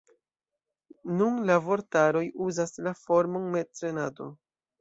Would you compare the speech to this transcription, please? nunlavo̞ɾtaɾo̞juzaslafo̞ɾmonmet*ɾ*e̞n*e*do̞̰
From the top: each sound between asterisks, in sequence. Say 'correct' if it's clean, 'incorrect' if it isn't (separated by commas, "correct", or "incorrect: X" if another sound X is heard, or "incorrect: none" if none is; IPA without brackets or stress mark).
correct, incorrect: a